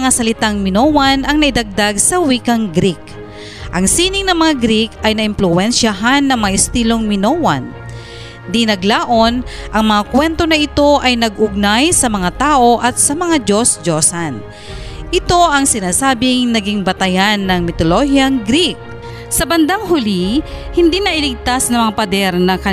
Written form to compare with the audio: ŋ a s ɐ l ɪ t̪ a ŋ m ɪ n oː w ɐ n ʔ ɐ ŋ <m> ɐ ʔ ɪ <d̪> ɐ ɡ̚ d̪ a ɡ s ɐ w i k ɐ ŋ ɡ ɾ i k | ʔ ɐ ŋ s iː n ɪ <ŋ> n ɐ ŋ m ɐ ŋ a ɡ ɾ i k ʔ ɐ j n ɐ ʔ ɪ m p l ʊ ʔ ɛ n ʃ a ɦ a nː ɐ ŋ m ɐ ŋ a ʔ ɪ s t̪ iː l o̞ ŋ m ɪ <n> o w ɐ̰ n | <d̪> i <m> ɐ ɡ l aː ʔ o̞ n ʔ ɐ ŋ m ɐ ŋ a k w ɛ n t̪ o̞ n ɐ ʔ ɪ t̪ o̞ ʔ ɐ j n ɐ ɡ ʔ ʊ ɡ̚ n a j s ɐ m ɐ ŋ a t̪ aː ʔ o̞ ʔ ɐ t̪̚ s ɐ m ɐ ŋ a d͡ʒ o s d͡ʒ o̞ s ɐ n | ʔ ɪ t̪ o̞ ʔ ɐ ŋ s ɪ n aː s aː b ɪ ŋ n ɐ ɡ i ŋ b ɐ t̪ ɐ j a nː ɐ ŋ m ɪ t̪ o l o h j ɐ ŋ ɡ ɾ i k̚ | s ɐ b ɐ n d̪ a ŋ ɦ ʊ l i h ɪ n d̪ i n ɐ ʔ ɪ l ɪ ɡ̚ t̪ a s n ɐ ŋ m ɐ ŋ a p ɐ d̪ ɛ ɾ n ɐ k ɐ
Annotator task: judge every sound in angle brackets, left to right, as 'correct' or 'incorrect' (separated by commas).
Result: incorrect, correct, correct, correct, correct, incorrect